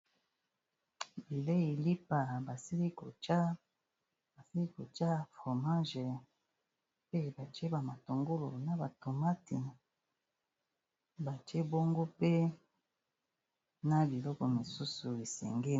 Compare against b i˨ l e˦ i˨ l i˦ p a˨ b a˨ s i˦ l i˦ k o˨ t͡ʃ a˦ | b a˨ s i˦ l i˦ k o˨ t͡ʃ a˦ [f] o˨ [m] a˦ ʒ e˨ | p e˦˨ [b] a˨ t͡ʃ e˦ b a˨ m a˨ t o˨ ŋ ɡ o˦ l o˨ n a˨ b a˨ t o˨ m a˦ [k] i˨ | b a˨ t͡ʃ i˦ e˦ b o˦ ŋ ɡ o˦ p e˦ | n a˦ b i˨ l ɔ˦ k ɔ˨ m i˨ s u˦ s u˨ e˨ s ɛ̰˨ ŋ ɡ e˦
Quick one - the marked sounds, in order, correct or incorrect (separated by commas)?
correct, correct, correct, incorrect